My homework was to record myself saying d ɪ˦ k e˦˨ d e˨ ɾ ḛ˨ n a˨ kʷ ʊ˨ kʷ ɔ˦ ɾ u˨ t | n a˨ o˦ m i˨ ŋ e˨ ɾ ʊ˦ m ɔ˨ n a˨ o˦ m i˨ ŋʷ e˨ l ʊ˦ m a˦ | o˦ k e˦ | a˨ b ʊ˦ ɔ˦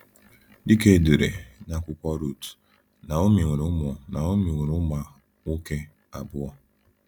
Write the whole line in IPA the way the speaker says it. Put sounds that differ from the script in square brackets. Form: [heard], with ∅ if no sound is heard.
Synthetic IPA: d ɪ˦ k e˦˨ d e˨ ɾ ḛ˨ n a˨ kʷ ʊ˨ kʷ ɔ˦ ɾ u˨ t | n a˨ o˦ m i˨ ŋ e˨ ɾ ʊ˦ m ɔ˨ n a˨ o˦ m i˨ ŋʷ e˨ [ɾ] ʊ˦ m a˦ | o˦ k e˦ | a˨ b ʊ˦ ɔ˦